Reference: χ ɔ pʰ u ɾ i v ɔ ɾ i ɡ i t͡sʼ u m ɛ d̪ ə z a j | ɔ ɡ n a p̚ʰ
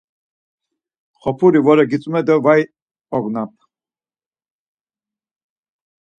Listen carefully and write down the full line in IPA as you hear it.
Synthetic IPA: χ ɔ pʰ u ɾ i v ɔ ɾ ɛ ɡ i t͡sʼ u m ɛ d̪ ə v a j | ɔ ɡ n a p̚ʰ